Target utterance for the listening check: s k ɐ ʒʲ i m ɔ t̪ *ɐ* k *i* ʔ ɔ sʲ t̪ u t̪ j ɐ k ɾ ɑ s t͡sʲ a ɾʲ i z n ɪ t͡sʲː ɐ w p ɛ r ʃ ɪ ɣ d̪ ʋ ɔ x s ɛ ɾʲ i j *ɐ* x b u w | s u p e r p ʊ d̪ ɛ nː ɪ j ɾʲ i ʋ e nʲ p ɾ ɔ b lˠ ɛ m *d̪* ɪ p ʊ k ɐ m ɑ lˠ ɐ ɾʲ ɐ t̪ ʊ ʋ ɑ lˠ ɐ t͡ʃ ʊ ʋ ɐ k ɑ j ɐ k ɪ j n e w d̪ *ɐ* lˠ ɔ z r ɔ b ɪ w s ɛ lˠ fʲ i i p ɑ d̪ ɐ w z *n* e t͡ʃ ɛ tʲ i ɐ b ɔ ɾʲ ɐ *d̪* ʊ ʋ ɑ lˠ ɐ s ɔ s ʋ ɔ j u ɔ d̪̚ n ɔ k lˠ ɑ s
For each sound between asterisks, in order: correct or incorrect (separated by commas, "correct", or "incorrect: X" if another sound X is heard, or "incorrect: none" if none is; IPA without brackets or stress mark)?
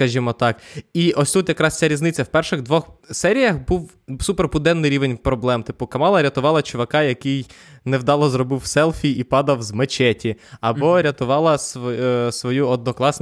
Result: incorrect: ɑ, correct, correct, incorrect: t̪, incorrect: ɑ, incorrect: m, incorrect: t̪